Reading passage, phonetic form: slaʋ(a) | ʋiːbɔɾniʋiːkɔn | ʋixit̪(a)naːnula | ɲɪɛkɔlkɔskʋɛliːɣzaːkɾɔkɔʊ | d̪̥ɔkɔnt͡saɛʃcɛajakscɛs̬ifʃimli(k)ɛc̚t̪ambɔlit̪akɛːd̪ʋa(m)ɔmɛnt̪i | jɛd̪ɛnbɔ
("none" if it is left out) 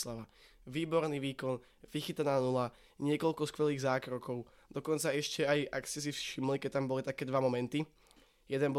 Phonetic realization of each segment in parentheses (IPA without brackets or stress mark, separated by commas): a, a, k, m